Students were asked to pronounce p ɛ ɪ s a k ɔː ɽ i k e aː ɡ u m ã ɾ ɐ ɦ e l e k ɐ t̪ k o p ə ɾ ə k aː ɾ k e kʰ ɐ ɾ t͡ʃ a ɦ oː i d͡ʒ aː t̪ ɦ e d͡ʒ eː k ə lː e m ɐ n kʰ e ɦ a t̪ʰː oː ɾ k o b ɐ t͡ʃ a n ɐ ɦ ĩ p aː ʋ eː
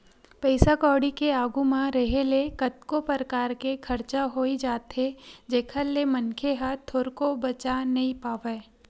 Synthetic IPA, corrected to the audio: p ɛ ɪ s a k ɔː ɽ i k e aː ɡ u m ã ɾ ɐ ɦ e l e k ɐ t̪ k o p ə ɾ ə k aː ɾ k e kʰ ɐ ɾ t͡ʃ a ɦ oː i d͡ʒ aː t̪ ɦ e d͡ʒ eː kʰ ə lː e m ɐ n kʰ e ɦ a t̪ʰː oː ɾ k o b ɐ t͡ʃ a n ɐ ɦ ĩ p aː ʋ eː